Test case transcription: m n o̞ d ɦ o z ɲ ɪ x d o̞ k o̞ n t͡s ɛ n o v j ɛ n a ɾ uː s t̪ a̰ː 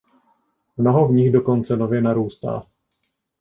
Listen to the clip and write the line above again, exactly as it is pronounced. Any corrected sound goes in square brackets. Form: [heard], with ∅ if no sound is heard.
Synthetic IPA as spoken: m n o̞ [∅] ɦ o [v] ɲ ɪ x d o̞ k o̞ n t͡s ɛ n o v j ɛ n a ɾ uː s t̪ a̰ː